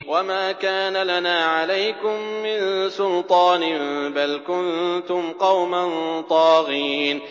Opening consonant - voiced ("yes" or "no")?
yes